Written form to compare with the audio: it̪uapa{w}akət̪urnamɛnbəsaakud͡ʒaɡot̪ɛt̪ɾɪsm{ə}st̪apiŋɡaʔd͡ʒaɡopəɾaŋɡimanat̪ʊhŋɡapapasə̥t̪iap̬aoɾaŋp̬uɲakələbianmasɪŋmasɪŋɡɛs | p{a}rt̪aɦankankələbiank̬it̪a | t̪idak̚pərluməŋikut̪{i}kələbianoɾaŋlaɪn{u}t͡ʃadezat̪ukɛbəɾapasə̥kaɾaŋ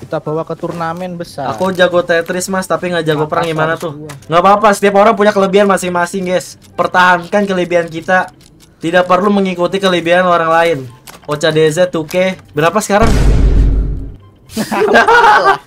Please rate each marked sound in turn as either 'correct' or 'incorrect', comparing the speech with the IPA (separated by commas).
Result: correct, incorrect, incorrect, correct, incorrect